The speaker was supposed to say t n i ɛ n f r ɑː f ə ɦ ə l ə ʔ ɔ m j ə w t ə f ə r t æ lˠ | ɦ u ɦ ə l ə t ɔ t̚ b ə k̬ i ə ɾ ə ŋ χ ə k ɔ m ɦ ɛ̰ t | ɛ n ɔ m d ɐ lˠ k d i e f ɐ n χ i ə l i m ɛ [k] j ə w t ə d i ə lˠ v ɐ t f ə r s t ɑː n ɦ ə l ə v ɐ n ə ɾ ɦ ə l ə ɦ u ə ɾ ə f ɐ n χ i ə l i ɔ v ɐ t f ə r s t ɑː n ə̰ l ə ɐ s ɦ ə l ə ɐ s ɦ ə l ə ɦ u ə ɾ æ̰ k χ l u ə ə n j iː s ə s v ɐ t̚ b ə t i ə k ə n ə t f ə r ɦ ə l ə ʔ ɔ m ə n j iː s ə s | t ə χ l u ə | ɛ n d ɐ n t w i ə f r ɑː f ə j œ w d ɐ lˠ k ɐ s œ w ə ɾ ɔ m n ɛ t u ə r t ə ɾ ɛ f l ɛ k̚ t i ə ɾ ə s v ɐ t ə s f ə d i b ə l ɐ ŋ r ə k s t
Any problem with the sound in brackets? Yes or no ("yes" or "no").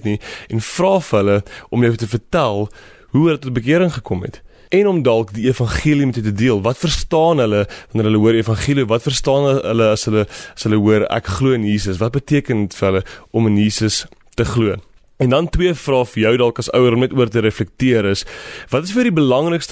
yes